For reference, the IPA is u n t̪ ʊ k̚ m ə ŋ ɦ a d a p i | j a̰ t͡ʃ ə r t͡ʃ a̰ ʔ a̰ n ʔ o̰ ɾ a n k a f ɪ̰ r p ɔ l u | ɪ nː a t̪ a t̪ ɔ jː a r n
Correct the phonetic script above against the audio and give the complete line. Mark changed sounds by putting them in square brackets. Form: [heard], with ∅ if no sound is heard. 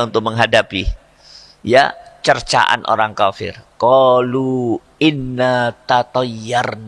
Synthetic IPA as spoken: u n t̪ ʊ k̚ m ə ŋ ɦ a d a p i | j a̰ t͡ʃ ə r t͡ʃ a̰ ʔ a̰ n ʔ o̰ ɾ a [ŋ] k a f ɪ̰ r [k] ɔ l u | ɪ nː a t̪ a t̪ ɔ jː a r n

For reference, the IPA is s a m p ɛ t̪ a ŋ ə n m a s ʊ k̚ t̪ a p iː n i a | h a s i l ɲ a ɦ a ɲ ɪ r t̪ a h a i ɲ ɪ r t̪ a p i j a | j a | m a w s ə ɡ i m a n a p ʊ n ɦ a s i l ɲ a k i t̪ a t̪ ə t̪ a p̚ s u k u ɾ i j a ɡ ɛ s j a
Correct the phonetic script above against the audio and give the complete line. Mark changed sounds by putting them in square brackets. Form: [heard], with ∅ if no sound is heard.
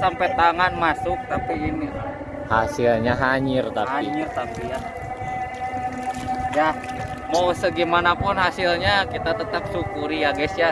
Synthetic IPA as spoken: s a m p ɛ t̪ a ŋ [a] n m a s ʊ k̚ t̪ a p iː n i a | h a s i l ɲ a ɦ a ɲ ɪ r t̪ a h a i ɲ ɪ r t̪ a p i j a | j a | m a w s ə ɡ i m a n a p ʊ n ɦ a s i l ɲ a k i t̪ a t̪ ə t̪ a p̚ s u k u ɾ i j a ɡ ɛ s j a

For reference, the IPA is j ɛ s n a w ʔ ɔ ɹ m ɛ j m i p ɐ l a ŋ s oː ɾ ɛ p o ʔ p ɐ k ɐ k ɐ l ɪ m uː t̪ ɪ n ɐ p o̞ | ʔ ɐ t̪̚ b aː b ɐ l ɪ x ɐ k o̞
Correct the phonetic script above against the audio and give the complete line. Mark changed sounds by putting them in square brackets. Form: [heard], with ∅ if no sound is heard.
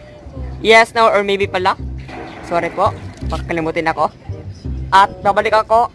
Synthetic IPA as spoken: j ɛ s n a w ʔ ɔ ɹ m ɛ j [b] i p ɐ l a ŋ s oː ɾ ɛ p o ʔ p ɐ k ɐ k ɐ l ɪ m uː t̪ ɪ n ɐ [k] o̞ | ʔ ɐ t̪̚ b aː b ɐ l ɪ [k] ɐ k o̞

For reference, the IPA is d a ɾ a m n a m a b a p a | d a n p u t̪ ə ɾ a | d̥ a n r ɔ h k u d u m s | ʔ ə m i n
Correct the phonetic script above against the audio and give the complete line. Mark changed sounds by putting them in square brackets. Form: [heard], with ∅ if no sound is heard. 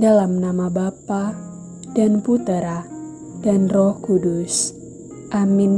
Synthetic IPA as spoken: d a [l] a m n a m a b a p a | d a n p u t̪ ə ɾ a | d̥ a n r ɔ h k u d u [∅] s | ʔ [a] m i n

